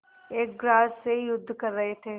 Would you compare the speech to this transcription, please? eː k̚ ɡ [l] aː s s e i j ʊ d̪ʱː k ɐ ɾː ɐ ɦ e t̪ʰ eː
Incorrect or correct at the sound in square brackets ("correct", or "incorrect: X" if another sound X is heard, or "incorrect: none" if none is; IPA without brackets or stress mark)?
incorrect: ɾ